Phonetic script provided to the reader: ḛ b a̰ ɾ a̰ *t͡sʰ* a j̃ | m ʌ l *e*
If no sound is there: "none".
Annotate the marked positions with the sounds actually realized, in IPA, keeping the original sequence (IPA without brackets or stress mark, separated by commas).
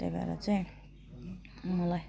t͡s, a